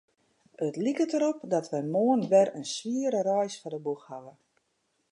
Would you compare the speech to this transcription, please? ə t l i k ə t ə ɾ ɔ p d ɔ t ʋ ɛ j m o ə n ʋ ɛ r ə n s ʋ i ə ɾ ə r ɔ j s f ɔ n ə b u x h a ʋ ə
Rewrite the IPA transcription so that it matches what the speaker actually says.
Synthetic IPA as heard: ə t l i k ə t ə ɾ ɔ p d ɔ t ʋ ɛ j m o ə n ʋ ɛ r ə n s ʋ i ə ɾ ə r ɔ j s f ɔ d ə b u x h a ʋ ə